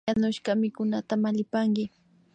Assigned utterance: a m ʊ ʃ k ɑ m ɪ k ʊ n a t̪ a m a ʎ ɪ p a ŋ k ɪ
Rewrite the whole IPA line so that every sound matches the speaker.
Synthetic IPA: a n ʊ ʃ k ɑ m ɪ k ʊ n a t̪ a m a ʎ ɪ p a ŋ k ɪ